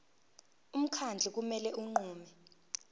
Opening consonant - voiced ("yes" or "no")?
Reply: yes